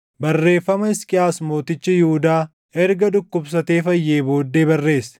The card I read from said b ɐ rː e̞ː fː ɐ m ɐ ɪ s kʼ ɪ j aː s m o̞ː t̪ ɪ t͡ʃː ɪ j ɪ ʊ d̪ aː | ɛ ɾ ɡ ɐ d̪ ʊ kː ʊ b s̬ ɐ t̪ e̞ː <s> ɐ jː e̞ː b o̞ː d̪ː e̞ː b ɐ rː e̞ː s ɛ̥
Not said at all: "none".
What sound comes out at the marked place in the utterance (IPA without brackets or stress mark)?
f